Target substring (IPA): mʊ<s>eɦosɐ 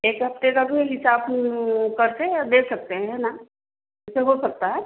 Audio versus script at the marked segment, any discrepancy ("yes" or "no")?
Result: no